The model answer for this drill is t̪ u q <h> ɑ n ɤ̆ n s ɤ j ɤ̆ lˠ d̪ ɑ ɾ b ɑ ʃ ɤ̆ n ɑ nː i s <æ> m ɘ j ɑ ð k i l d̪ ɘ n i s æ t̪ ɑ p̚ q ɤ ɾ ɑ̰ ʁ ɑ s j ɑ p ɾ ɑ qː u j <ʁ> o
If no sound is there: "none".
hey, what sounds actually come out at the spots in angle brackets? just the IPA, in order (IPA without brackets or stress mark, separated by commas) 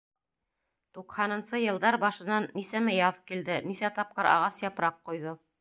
h, æ, ð